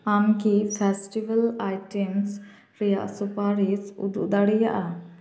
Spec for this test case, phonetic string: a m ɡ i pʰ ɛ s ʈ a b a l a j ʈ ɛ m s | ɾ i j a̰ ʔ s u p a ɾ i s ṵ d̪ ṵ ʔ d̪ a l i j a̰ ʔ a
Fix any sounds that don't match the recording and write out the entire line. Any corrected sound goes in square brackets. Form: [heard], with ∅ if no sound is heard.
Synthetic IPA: a m [k] i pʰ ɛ s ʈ [i] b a l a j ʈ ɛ m s | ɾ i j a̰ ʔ s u p a ɾ i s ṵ d̪ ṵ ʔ d̪ a [ɽ] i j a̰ ʔ a